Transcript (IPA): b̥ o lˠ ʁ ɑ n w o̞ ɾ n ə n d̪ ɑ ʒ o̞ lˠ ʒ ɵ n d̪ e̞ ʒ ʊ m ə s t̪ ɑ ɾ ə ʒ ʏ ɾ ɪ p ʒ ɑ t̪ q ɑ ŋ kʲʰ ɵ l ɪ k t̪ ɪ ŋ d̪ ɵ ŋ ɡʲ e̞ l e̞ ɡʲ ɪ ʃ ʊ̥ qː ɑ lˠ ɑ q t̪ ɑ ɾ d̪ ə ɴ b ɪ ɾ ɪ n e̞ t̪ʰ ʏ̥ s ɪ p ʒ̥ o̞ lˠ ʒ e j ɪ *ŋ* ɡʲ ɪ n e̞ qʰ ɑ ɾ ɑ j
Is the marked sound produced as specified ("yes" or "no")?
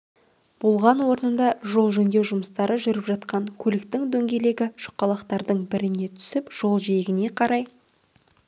no